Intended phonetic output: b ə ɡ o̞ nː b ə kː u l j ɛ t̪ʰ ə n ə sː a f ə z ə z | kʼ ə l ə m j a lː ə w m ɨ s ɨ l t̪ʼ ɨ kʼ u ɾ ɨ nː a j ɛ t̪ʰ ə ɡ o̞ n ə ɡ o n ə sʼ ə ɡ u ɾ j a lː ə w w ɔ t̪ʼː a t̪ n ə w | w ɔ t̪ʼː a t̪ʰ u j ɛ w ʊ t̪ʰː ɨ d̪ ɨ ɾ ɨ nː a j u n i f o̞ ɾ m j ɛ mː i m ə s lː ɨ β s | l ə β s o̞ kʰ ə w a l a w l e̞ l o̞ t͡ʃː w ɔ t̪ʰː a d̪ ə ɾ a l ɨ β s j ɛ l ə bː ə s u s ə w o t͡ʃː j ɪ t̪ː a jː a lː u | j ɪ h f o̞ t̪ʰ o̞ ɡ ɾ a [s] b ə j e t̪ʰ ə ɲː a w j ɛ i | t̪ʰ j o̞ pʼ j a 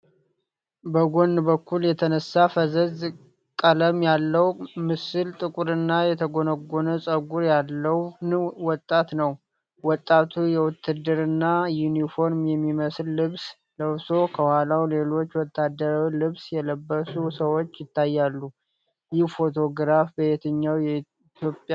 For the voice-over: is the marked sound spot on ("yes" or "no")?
no